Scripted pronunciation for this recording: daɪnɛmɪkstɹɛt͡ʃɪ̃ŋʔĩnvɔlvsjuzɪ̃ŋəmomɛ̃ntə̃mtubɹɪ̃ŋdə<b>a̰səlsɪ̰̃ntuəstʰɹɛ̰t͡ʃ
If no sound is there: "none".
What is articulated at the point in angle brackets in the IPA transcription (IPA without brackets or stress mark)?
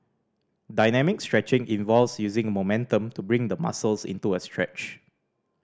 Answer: m